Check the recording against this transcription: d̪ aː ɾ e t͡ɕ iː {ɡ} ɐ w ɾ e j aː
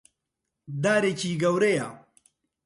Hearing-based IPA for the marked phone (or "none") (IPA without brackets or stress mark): ɡ